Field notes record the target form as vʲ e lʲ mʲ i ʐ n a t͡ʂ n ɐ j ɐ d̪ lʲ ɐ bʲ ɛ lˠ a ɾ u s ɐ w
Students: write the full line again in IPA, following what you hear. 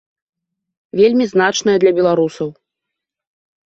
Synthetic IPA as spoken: vʲ e lʲ mʲ i z n a t͡ʂ n ɐ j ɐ d̪ lʲ ɐ bʲ ɛ lˠ a ɾ u s ɐ w